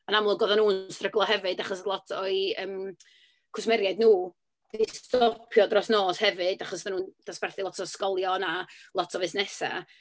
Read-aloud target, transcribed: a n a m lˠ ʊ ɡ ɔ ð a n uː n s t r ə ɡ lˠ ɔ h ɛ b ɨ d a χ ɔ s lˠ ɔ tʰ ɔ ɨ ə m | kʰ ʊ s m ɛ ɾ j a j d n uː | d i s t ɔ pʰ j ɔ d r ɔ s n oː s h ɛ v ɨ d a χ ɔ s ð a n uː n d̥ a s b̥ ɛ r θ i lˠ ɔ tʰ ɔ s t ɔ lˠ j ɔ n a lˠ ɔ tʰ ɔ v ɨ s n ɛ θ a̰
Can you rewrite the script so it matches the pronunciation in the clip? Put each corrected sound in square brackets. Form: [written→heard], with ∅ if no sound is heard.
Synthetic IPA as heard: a n a m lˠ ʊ ɡ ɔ ð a n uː n s t r ə ɡ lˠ ɔ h ɛ [b→v] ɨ d a χ ɔ s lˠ ɔ tʰ ɔ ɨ ə m | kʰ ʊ s m ɛ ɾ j a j d n uː | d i s t ɔ pʰ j ɔ d r ɔ s n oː s h ɛ v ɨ d a χ ɔ s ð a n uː n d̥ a s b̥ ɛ r θ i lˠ ɔ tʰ ɔ s [t→k] ɔ lˠ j ɔ n a lˠ ɔ tʰ ɔ v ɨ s n ɛ [θ→s] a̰